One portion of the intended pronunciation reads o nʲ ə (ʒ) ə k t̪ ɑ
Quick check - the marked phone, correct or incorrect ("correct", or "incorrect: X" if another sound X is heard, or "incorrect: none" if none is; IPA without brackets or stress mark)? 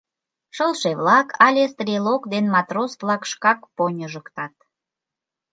correct